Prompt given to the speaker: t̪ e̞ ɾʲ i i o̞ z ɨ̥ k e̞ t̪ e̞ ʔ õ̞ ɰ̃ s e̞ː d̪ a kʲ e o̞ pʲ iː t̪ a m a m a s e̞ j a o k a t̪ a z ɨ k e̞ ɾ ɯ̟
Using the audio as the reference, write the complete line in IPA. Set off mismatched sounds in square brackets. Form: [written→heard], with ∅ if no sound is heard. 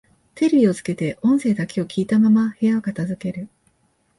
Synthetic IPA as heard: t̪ e̞ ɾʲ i i o̞ z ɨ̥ k e̞ t̪ e̞ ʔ õ̞ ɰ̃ s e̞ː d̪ a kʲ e o̞ [pʲ→kʲ] iː t̪ a m a m a [s→h] e̞ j a o k a t̪ a z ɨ k e̞ ɾ ɯ̟